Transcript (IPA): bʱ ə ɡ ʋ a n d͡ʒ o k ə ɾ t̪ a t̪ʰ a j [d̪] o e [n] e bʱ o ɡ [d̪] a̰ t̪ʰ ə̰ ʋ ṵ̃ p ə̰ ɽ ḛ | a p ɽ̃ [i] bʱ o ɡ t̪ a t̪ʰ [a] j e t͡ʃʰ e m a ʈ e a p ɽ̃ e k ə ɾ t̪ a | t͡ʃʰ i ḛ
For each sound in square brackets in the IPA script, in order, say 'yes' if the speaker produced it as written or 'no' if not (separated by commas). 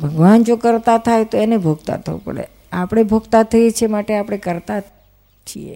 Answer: no, yes, no, no, no